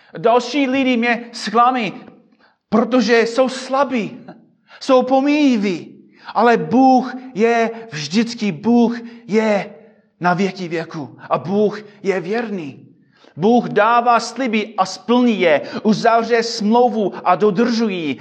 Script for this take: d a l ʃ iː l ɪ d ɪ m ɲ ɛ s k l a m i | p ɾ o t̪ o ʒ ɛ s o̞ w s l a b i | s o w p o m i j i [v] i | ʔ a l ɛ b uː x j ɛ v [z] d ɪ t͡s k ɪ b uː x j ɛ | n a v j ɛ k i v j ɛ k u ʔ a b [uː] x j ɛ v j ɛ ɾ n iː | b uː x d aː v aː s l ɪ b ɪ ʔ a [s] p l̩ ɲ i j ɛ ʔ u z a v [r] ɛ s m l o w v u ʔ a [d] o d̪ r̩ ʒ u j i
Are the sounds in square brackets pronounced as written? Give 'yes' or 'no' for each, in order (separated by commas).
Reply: yes, no, yes, yes, yes, yes